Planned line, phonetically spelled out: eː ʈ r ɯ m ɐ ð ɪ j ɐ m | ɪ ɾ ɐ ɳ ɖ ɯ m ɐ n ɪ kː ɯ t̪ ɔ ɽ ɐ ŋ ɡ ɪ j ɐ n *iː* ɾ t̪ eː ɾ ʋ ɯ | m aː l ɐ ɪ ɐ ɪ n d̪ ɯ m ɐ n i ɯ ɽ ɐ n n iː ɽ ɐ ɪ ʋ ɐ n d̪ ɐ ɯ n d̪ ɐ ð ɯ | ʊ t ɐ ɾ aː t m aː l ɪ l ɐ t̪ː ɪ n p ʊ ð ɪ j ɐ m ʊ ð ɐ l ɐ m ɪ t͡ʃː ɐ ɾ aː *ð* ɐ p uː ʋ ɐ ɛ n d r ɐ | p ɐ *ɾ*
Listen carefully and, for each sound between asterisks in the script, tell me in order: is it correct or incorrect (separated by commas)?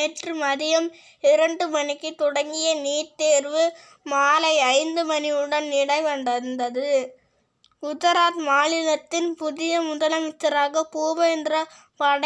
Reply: correct, incorrect, incorrect